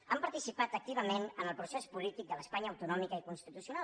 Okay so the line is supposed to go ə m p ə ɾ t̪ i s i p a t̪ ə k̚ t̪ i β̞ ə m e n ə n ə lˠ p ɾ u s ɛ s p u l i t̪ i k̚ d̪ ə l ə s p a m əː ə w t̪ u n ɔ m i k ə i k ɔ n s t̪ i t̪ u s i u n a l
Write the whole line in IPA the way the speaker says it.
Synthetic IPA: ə m p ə ɾ t̪ i s i p a t̪ ə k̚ t̪ i β̞ ə m e n ə n ə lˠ p ɾ u s ɛ s p u l i t̪ i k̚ d̪ ə l ə s p a ɲ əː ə w t̪ u n ɔ m i k ə i k u n s t̪ i t̪ u s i u n a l